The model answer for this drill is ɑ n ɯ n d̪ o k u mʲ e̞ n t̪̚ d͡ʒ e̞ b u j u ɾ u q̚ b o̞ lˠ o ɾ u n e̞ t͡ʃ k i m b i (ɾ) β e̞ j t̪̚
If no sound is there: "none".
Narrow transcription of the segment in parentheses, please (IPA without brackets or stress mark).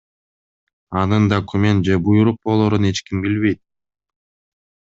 l